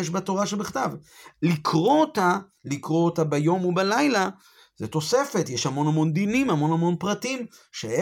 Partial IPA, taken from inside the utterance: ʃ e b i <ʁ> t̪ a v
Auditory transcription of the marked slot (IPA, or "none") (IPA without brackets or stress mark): χ